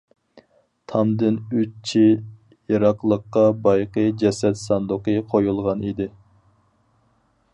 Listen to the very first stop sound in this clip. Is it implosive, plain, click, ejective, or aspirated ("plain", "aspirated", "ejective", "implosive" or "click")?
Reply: aspirated